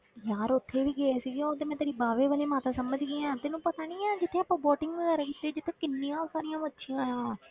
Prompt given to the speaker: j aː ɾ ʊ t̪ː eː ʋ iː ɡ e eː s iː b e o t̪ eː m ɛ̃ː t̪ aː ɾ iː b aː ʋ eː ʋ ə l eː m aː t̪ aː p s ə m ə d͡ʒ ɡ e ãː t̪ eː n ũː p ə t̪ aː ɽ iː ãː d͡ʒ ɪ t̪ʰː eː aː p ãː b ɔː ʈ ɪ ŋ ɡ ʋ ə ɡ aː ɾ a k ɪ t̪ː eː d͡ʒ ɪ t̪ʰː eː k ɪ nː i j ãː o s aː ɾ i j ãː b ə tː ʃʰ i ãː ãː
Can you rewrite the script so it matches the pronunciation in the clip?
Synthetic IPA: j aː ɾ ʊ t̪ʰː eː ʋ iː ɡ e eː s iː ɡ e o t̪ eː m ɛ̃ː t̪ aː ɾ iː b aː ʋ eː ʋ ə l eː m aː t̪ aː s ə m ə d͡ʒ ɡ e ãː t̪ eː n ũː p ə t̪ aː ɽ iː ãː d͡ʒ ɪ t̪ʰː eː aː p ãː b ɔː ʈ ɪ ŋ ɡ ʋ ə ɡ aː ɾ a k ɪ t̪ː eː d͡ʒ ɪ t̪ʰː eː k ɪ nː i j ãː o s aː ɾ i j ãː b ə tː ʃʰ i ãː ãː